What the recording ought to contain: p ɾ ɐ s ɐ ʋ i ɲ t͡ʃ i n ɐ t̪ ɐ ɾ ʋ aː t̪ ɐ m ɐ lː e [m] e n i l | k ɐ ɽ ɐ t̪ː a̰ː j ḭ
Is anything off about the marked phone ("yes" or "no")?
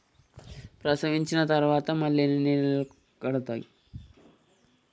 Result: yes